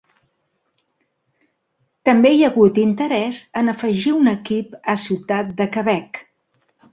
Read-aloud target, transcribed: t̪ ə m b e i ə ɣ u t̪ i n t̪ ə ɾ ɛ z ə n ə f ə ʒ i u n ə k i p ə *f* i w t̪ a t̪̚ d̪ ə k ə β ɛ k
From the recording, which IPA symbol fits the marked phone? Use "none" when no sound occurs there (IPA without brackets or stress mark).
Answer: s